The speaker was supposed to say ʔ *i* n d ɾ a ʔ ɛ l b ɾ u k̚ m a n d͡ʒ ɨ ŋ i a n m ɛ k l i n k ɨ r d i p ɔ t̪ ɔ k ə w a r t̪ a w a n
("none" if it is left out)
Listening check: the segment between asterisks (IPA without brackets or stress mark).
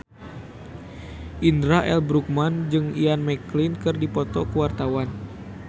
i